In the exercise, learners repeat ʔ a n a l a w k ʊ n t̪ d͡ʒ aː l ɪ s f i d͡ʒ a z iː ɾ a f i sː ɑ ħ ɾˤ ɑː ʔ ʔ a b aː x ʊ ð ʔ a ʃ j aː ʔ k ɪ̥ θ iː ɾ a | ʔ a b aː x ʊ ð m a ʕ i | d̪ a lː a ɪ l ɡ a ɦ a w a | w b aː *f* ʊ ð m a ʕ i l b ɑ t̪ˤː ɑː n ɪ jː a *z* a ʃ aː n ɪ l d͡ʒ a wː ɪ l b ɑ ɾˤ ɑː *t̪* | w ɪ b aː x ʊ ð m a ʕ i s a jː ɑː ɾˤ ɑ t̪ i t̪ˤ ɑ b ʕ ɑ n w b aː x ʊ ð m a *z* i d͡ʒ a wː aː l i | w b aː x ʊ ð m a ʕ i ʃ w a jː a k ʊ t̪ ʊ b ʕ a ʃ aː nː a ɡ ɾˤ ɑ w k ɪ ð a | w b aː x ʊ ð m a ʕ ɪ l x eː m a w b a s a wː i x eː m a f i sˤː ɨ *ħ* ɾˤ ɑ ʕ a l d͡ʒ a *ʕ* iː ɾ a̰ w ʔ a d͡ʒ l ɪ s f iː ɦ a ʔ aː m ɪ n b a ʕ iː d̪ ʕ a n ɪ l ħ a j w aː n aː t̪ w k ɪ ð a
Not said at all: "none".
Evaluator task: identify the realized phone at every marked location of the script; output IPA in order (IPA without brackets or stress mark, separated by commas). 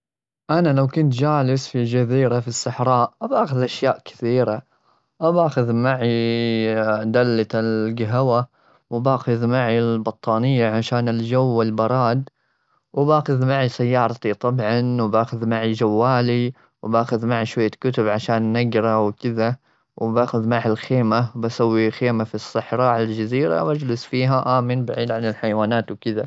x, ʕ, d̪, ʕ, ħ, z